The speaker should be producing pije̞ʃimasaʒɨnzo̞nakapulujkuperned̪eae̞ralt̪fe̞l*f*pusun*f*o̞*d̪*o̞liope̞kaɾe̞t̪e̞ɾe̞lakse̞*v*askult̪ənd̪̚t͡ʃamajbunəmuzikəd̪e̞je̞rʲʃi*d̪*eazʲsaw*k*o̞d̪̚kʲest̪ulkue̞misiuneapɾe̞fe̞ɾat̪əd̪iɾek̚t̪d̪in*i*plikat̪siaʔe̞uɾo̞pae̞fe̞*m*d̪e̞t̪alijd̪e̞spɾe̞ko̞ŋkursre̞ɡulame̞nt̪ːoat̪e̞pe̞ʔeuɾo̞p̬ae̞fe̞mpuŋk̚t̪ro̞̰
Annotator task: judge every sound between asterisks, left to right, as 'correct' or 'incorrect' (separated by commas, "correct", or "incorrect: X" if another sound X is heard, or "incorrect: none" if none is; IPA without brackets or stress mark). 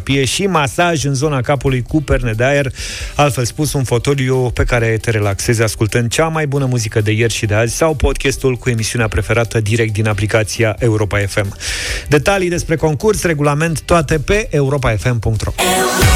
incorrect: s, correct, incorrect: t̪, incorrect: z, correct, incorrect: p, incorrect: a, correct